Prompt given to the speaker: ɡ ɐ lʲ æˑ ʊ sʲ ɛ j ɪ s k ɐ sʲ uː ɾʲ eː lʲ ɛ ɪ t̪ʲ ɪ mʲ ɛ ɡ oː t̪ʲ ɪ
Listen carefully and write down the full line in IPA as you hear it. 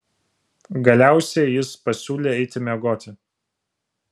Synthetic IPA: ɡ ɐ lʲ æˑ ʊ sʲ ɛ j ɪ s p ɐ sʲ uː lʲ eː ɛ ɪ t̪ʲ ɪ mʲ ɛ ɡ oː t̪ʲ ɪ